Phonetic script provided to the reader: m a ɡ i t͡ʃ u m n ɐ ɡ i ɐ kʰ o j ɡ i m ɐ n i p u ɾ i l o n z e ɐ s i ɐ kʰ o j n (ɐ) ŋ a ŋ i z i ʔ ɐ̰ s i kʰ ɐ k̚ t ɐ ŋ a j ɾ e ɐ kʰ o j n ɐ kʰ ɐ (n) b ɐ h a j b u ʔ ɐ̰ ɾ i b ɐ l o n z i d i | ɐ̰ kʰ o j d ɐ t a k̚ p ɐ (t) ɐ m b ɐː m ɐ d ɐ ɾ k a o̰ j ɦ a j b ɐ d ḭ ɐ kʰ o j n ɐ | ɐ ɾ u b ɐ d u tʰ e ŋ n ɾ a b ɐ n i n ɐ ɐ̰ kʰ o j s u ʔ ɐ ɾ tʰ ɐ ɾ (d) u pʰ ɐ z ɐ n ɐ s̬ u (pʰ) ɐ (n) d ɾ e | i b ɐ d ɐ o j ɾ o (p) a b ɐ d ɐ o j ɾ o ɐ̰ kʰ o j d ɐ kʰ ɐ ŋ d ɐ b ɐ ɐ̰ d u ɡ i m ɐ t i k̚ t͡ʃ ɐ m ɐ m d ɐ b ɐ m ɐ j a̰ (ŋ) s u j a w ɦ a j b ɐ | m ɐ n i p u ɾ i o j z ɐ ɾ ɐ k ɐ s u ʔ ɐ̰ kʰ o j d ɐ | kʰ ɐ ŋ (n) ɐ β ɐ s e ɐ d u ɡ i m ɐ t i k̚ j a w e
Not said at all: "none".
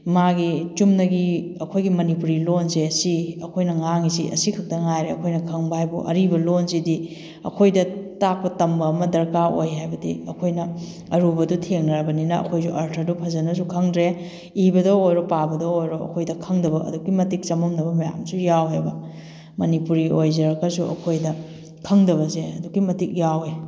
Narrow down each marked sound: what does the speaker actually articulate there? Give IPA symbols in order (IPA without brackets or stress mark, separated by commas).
ɐ, ŋ, t, d, kʰ, ŋ, p, m, d